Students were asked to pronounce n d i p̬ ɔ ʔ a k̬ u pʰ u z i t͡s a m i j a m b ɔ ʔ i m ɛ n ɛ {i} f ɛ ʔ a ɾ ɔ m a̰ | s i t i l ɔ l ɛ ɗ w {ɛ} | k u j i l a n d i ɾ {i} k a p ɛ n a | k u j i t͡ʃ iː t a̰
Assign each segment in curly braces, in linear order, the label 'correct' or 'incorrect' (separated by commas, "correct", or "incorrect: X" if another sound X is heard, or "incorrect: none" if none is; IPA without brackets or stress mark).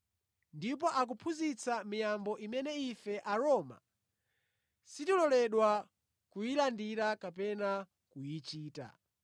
correct, incorrect: a, incorrect: a